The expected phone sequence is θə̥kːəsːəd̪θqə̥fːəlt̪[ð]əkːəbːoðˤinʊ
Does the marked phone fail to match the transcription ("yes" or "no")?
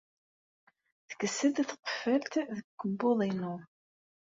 no